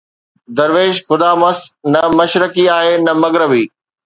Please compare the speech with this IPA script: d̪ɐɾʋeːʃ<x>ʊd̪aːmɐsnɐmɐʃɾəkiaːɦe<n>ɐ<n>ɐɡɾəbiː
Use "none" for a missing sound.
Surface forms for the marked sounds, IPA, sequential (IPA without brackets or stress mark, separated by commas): x, n, m